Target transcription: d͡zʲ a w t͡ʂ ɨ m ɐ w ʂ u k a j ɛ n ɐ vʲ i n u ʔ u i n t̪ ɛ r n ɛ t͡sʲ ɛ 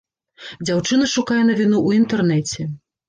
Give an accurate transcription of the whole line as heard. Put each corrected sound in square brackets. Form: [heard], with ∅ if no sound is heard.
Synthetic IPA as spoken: d͡zʲ a w t͡ʂ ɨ [n] ɐ [∅] ʂ u k a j ɛ n ɐ vʲ i n u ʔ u i n t̪ ɛ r n ɛ t͡sʲ ɛ